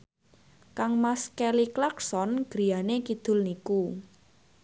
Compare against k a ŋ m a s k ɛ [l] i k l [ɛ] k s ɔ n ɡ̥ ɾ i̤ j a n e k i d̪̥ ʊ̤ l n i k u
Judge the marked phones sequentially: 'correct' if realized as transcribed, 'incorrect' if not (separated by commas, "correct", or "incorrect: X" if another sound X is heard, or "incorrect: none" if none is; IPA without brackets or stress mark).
correct, incorrect: a